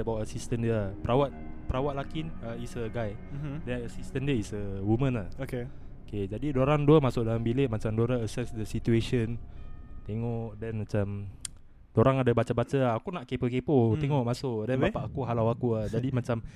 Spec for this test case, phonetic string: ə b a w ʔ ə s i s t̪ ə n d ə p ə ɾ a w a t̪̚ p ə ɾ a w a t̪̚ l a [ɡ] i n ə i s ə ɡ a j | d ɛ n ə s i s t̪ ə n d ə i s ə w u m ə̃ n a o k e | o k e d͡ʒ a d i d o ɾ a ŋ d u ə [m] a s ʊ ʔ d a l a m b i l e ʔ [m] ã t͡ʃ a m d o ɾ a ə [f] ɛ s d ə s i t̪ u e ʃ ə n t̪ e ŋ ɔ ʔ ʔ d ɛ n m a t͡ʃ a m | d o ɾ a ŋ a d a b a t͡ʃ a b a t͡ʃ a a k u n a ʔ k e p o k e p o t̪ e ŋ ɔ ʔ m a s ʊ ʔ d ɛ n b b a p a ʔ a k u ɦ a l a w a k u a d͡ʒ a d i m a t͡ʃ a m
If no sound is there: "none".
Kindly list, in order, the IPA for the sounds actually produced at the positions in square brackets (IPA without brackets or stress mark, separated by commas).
k, m, m, s